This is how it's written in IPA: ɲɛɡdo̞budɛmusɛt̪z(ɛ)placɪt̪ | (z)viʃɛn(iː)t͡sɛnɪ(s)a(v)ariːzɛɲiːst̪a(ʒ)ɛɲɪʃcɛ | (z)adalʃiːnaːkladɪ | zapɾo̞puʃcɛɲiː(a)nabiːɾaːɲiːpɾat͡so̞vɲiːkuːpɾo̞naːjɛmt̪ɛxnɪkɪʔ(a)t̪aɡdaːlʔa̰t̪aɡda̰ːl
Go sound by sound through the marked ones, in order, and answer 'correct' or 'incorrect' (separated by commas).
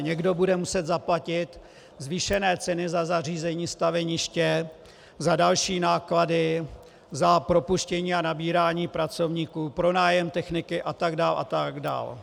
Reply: incorrect, correct, incorrect, incorrect, incorrect, incorrect, correct, correct, correct